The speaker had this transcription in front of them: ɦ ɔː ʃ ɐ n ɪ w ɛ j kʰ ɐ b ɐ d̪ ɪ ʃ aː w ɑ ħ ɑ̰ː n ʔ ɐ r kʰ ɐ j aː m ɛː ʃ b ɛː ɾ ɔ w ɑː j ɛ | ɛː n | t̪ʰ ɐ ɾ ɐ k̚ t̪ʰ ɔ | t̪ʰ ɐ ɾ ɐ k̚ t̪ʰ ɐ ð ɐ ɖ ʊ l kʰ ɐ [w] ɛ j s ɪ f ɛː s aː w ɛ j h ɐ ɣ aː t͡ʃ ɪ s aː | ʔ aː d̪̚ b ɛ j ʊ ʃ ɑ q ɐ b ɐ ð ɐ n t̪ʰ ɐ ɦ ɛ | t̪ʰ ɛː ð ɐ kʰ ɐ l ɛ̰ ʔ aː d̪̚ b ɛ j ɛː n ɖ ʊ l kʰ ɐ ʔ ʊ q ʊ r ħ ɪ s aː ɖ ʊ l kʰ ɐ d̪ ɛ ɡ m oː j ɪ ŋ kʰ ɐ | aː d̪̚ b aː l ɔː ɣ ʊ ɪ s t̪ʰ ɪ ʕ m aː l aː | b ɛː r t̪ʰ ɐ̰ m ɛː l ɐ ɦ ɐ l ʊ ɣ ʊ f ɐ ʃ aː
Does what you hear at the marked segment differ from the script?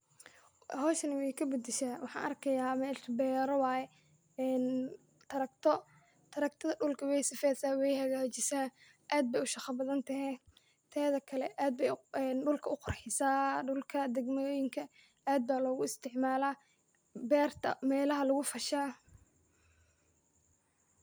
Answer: no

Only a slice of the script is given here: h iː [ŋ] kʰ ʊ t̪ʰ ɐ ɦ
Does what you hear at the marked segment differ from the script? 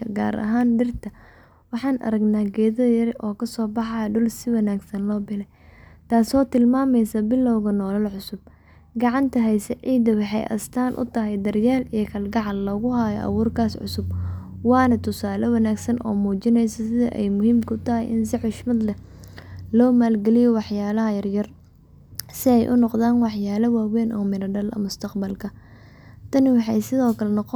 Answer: yes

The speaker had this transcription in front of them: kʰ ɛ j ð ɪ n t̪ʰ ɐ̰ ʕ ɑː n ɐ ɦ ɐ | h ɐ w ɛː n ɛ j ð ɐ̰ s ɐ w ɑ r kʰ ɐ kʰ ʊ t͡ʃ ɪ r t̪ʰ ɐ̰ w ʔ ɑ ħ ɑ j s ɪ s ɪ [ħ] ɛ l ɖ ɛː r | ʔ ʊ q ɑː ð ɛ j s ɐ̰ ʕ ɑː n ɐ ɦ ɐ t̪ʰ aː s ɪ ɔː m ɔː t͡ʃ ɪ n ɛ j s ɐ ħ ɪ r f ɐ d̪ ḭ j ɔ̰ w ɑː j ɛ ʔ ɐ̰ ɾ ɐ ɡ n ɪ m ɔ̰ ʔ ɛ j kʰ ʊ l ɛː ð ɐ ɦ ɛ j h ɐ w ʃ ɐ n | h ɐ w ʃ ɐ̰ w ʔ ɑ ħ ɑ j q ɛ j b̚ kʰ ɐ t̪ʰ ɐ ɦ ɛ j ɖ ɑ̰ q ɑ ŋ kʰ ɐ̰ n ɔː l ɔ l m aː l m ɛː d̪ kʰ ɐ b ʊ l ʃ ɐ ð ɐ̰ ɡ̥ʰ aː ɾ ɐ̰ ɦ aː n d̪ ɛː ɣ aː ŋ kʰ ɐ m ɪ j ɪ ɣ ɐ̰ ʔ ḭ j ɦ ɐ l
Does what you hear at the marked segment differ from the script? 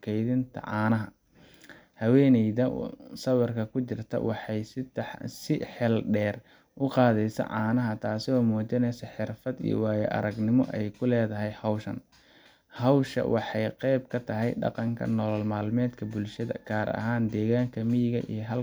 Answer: no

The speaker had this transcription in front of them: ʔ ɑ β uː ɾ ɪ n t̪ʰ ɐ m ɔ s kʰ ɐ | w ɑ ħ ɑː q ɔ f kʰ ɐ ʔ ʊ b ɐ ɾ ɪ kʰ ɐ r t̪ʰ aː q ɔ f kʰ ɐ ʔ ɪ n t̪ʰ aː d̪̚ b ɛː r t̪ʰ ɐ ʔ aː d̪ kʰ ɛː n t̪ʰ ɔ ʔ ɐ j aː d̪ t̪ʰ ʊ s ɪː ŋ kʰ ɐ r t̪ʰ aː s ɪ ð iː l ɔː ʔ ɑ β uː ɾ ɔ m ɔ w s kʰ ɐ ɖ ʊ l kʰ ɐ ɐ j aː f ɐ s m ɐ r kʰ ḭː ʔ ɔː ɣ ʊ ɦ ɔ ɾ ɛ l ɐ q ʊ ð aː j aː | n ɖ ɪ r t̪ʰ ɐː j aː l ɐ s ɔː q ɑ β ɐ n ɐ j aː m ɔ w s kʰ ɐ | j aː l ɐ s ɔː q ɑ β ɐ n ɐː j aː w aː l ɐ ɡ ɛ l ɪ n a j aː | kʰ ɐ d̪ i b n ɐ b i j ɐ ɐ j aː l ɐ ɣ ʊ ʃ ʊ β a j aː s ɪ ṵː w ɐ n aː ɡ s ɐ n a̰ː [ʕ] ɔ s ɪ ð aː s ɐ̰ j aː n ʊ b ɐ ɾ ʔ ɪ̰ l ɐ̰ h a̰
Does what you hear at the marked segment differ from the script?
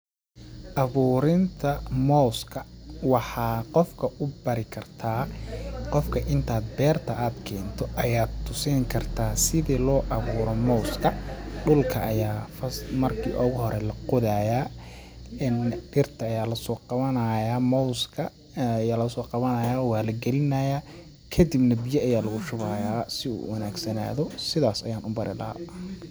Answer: yes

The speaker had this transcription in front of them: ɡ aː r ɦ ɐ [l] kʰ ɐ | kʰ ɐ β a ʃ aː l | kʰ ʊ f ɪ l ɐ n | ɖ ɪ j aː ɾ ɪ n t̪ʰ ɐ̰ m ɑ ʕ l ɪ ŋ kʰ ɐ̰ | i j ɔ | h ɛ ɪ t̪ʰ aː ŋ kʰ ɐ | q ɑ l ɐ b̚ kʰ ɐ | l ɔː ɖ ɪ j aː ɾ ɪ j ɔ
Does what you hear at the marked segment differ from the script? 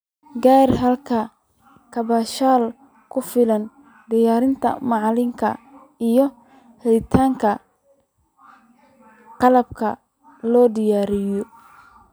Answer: no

